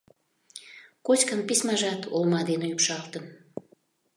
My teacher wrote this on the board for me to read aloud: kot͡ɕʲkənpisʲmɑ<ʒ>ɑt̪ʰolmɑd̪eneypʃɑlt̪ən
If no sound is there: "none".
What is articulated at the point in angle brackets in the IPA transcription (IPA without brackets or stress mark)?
ʒ